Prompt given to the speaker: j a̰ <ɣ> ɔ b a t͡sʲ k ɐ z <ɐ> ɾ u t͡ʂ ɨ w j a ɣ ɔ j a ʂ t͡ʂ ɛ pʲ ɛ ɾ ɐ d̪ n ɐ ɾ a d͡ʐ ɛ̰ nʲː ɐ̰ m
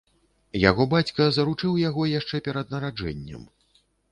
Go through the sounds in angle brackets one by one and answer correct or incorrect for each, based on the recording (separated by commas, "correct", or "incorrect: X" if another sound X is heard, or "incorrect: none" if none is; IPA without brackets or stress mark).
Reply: correct, correct